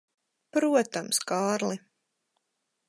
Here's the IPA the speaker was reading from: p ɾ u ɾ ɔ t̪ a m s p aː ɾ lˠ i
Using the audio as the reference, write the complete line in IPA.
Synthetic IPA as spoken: p ɾ u ɔ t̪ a m s k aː ɾ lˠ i

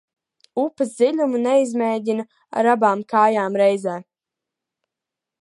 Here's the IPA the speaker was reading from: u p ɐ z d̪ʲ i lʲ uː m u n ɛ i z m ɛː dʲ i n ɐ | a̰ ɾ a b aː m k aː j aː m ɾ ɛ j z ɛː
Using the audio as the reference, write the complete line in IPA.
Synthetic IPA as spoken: u p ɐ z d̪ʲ i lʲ u m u n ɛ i z m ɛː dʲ i n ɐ | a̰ ɾ a b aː m k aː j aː m ɾ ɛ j z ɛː

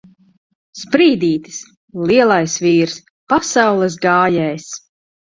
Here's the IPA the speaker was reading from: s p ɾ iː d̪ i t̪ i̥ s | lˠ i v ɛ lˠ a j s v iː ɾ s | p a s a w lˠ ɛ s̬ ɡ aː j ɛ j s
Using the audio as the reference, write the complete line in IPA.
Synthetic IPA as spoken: s p ɾ iː d̪ iː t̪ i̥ s | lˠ i ɛ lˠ a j s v iː ɾ s | p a s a w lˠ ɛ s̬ ɡ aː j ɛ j s

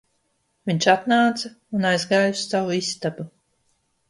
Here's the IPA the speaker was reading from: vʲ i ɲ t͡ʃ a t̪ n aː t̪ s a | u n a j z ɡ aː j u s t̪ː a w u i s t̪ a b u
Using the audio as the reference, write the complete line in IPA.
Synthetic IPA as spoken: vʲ i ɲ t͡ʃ a t̪ n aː t̪ s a | u n a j z ɡ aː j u s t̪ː a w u i s t̪ a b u

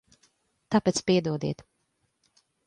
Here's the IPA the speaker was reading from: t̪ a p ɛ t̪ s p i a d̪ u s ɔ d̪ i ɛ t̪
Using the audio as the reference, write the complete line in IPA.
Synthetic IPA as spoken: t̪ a p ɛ t̪ s p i ɛ d̪ u ɔ d̪ i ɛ t̪

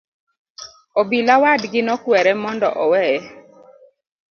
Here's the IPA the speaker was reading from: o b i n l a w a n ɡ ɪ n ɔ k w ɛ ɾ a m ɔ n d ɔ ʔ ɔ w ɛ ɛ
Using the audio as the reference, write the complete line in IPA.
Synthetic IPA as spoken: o b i l a w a d ɡ ɪ n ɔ k w ɛ ɾ ɛ m ɔ n d ɔ ʔ ɔ w ɛ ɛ

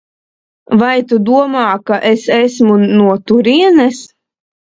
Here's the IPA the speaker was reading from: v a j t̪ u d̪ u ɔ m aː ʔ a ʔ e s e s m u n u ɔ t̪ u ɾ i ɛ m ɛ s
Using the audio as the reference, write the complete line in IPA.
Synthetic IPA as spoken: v a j t̪ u d̪ u ɔ m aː k a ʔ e s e s m u n u ɔ t̪ u ɾ i ɛ n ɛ s

